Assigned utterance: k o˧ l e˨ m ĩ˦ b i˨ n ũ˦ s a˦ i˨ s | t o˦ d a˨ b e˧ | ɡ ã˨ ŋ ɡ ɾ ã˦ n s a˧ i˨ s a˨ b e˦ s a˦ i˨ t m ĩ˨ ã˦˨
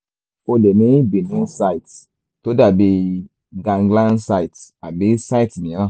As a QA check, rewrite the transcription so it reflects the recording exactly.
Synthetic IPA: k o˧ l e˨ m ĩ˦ b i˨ n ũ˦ s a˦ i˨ t | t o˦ d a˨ b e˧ | ɡ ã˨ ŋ ɡ l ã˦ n s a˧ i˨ t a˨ b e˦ s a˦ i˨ t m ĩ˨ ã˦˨